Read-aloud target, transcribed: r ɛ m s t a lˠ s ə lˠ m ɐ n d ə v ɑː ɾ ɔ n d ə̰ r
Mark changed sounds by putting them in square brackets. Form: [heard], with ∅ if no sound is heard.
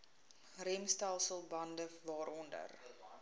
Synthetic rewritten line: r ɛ m s t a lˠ s ə lˠ [b] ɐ n d ə v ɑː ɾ ɔ n d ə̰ r